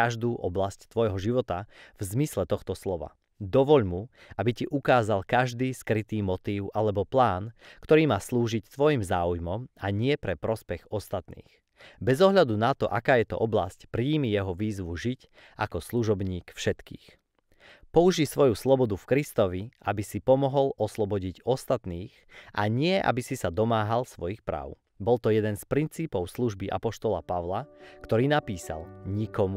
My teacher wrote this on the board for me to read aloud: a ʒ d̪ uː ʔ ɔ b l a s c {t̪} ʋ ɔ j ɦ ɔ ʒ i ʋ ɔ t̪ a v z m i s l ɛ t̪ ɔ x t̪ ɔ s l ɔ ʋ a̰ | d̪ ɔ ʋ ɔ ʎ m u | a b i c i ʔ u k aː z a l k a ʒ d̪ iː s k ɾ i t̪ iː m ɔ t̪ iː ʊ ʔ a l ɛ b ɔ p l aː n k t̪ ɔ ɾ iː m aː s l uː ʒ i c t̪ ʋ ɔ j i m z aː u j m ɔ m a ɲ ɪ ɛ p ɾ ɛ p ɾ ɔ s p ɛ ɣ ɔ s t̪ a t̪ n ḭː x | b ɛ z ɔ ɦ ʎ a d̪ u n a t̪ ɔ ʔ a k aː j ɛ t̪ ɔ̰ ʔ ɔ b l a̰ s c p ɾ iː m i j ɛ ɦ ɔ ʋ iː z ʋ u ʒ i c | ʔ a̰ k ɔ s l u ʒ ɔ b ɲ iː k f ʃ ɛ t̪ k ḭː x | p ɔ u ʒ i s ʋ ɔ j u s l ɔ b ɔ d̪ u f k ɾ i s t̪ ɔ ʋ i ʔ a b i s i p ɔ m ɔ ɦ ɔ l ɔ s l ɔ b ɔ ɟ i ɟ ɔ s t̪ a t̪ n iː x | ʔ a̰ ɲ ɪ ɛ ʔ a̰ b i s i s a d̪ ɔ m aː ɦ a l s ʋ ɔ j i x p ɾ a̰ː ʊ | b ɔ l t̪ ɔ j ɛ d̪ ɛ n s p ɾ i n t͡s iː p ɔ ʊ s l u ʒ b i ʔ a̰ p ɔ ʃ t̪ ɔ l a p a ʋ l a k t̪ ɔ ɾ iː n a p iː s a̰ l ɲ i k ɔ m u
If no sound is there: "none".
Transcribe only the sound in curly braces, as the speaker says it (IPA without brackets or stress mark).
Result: t̪